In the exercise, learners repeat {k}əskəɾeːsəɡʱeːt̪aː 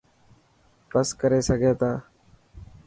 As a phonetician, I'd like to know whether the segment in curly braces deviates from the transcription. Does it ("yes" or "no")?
yes